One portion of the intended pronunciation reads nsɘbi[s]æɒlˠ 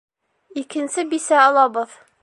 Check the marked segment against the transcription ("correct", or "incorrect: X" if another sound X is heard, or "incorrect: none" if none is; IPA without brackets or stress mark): correct